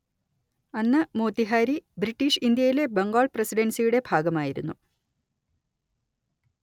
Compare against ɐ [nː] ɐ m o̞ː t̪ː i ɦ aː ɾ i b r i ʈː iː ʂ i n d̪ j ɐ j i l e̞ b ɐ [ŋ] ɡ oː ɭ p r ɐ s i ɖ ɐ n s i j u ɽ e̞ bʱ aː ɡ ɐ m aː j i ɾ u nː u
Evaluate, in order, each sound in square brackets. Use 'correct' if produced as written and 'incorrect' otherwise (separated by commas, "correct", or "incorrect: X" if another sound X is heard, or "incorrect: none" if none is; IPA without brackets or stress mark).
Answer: correct, correct